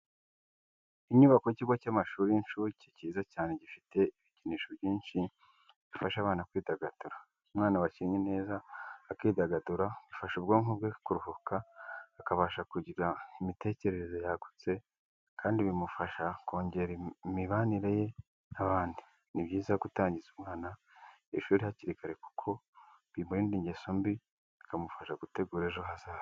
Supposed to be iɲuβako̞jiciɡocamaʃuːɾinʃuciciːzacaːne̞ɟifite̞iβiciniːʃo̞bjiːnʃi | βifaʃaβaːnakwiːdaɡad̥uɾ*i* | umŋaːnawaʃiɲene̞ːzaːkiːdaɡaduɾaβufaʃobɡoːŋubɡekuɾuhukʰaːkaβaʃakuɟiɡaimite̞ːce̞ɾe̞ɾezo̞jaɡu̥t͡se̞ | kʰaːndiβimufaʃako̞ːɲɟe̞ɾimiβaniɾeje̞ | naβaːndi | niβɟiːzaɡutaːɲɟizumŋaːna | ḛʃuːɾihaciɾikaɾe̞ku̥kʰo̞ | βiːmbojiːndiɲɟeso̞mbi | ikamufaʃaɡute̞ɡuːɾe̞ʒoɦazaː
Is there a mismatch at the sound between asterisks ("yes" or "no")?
yes